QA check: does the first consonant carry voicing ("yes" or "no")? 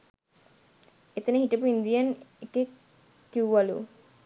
no